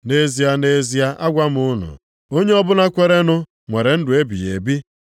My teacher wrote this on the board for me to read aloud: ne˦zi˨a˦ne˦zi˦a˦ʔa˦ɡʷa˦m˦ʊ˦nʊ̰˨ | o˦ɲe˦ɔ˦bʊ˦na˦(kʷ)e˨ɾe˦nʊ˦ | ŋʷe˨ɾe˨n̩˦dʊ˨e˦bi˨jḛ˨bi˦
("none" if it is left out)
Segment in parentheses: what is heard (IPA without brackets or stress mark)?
kʷ